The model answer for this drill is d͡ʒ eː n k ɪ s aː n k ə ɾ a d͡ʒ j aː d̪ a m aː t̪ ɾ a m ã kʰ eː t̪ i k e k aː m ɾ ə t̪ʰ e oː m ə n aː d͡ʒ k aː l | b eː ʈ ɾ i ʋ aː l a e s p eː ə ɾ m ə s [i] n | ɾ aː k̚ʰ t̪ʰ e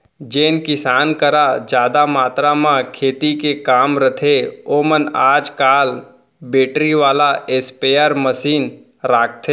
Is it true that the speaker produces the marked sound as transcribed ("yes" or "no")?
no